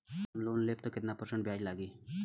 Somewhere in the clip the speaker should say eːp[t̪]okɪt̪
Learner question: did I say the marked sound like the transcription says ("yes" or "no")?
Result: yes